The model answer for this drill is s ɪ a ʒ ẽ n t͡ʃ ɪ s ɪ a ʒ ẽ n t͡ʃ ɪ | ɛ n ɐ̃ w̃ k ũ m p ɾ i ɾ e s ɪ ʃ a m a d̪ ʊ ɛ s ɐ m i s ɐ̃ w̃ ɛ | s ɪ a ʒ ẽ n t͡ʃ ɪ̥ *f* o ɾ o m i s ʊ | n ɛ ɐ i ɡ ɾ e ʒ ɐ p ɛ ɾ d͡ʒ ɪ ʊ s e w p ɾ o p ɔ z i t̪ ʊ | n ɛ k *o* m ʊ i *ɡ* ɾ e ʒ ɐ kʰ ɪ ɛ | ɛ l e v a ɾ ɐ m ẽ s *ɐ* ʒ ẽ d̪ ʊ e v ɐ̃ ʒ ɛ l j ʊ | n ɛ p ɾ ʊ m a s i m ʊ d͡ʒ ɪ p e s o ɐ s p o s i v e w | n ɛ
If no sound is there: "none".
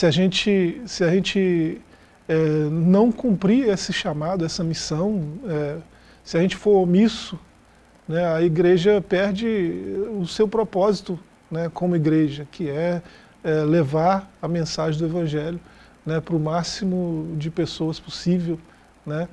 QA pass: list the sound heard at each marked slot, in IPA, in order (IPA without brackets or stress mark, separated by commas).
f, õ, ɡ, a